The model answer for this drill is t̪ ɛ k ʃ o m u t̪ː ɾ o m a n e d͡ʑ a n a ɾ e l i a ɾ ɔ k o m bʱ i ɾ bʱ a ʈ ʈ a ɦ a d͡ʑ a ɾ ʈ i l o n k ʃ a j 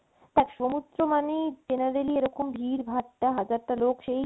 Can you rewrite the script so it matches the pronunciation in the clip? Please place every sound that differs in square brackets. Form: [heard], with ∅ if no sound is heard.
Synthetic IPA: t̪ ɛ k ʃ o m u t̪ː ɾ o m a n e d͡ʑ [e] n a ɾ e l i [e] ɾ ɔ k o m bʱ i ɾ bʱ a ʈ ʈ a ɦ a d͡ʑ a ɾ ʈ [a] l o [∅] k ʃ [e] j